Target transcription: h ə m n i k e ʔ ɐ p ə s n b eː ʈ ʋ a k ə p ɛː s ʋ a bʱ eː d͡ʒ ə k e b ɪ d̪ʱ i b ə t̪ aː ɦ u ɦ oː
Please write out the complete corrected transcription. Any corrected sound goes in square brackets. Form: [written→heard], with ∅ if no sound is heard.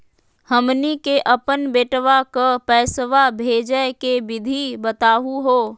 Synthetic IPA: h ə m n i k e ʔ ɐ p ə [s→∅] n b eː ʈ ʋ a k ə p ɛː s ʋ a bʱ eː d͡ʒ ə k e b ɪ d̪ʱ i b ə t̪ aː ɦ u ɦ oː